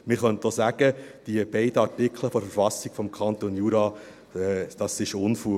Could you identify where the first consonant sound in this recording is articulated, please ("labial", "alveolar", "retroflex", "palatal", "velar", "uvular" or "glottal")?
labial